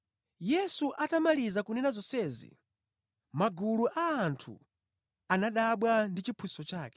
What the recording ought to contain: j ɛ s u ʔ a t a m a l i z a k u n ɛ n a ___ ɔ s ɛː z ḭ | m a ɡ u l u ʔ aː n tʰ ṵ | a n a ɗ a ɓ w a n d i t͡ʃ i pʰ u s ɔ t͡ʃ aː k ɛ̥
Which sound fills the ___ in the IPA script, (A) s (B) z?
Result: B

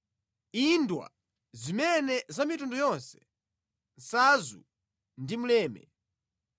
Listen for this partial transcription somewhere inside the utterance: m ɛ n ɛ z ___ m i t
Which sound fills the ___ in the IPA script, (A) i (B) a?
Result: B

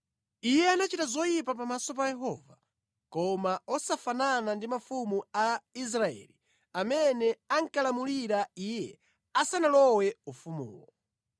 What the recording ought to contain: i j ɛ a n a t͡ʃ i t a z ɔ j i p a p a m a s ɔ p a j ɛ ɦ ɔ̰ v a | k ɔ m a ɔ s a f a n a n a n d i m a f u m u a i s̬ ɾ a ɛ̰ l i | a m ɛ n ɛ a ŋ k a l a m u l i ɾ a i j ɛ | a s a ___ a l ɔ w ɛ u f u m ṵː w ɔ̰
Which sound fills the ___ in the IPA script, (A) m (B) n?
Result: B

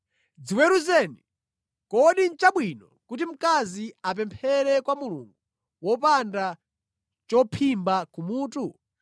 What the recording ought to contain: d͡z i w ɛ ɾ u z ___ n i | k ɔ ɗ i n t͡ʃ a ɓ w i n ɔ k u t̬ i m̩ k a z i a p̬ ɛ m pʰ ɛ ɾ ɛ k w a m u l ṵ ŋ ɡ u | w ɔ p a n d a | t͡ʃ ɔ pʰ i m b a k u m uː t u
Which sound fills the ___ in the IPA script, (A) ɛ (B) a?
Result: A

